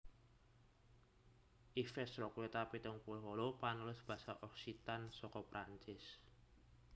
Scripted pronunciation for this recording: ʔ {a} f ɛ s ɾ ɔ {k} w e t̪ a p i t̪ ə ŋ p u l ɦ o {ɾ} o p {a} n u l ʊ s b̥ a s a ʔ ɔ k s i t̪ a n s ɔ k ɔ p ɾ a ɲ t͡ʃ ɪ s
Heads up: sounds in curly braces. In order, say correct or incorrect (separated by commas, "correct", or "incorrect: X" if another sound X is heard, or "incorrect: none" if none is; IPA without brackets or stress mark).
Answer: incorrect: i, correct, incorrect: l, correct